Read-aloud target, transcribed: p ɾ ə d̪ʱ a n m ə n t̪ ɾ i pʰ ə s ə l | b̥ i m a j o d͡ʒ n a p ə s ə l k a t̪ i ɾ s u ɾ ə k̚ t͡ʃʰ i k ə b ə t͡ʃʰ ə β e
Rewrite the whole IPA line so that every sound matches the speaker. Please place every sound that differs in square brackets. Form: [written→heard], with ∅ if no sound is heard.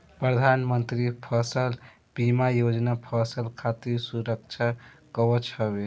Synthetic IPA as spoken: p ɾ ə d̪ʱ a n m ə n t̪ ɾ i pʰ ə s ə l | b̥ i m a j o d͡ʒ n a [p→pʰ] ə s ə l [k→kʰ] a t̪ i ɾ s u ɾ ə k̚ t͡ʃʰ [i→a] k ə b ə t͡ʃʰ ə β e